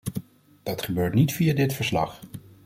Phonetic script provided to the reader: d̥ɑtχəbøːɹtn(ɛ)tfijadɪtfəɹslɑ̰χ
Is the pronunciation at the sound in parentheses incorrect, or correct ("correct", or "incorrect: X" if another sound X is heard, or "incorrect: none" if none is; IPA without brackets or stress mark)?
incorrect: i